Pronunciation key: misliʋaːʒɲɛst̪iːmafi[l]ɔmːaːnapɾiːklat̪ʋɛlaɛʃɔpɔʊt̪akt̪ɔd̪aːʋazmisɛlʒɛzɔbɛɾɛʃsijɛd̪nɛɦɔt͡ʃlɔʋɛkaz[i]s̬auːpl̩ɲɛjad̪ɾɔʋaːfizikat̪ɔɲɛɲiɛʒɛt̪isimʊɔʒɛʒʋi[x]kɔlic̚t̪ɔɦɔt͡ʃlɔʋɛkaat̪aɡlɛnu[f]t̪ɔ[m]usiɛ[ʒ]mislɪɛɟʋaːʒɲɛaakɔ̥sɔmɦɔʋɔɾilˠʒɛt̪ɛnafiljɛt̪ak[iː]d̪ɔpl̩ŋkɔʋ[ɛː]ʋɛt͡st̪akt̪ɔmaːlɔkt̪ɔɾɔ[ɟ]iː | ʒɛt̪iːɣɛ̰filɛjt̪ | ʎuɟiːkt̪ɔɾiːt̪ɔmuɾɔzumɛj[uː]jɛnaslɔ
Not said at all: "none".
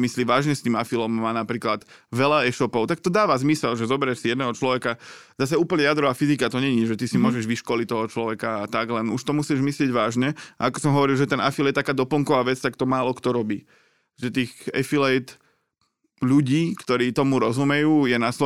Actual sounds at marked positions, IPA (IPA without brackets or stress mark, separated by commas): l, a, ʃ, ʃ, m, ʒ, aː, aː, b, uː